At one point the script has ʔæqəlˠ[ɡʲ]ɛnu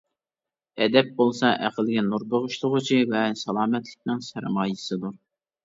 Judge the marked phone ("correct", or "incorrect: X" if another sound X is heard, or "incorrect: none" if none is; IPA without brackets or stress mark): correct